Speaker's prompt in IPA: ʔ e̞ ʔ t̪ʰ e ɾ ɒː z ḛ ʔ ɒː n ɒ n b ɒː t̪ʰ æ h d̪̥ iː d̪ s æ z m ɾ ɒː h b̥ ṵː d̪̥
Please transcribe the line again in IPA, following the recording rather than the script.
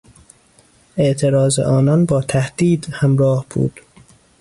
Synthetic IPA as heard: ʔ e̞ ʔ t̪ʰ e ɾ ɒː z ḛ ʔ ɒː n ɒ n b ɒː t̪ʰ æ h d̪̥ iː d̪ h æ m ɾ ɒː h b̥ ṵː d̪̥